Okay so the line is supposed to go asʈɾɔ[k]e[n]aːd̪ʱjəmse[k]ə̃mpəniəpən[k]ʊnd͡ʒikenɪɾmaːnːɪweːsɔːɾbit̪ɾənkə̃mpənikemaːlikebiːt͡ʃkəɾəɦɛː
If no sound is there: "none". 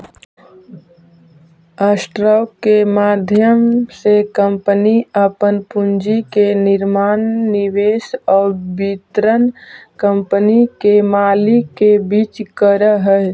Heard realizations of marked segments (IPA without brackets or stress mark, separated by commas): k, m, k, p